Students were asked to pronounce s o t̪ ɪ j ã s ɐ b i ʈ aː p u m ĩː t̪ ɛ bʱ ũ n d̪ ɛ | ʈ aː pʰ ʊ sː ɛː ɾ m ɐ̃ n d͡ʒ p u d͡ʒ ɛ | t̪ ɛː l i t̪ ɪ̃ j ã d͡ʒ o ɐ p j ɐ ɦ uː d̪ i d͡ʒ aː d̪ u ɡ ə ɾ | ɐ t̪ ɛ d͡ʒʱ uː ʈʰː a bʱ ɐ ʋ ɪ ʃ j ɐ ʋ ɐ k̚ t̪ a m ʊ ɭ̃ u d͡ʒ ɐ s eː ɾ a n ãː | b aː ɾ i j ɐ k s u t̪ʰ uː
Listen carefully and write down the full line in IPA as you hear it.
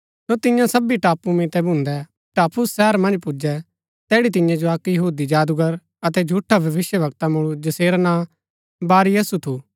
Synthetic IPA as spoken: s o t̪ ɪ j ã s ɐ b i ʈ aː p u m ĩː t̪ ɛ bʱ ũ n d̪ ɛ | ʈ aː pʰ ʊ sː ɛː ɾ m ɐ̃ n d͡ʒ p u d͡ʒ ɛ | t̪ ɛː ɽ i t̪ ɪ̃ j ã d͡ʒ o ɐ k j ɐ ɦ uː d̪ i d͡ʒ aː d̪ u ɡ ə ɾ | ɐ t̪ ɛ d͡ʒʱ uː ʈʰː a bʱ ɐ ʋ ɪ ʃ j ə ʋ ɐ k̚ t̪ a m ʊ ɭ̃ u d͡ʒ ɐ s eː ɾ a n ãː | b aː ɾ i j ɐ s u t̪ʰ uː

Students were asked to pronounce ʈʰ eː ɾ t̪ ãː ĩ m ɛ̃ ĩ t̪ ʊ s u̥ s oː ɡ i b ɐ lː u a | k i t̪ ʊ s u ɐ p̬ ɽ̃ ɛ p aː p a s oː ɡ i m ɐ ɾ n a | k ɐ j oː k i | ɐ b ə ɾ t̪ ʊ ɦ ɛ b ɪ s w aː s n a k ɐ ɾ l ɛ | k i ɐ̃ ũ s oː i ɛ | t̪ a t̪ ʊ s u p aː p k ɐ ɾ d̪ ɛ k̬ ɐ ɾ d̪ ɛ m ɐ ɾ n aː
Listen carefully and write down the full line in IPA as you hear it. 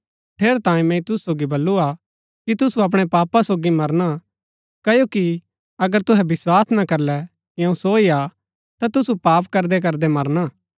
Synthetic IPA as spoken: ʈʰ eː ɾ t̪ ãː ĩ m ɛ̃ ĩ t̪ ʊ s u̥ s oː ɡ i b ɐ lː u a | k i t̪ ʊ s u ɐ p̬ ɽ̃ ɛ p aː p a s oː ɡ i m ɐ ɾ n a | k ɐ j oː k i | ɐ ɡ ə ɾ t̪ ʊ ɦ ɛ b ɪ s w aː s n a k ɐ ɾ l ɛ | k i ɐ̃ ũ s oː i a | t̪ a t̪ ʊ s u p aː p k ɐ ɾ d̪ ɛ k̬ ɐ ɾ d̪ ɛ m ɐ ɾ n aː

